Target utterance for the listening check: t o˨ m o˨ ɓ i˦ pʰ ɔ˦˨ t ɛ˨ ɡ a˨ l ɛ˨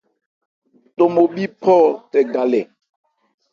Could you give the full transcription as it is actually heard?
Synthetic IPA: t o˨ m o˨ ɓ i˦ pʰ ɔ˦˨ t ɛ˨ ɡ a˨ l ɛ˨